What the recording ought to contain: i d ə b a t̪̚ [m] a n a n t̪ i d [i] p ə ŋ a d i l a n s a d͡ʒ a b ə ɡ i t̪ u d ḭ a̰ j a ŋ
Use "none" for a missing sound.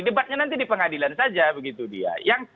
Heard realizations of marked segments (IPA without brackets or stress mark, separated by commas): ɲ, i